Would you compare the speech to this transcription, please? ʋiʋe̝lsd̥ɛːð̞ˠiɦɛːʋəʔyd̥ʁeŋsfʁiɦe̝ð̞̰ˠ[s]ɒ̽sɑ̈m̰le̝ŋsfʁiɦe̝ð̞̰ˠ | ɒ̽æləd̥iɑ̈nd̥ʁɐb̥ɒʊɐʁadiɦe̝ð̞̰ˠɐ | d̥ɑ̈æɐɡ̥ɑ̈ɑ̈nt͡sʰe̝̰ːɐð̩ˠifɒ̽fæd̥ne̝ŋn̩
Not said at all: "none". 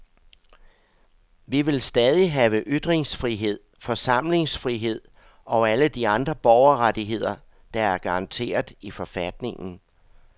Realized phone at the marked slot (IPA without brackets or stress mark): f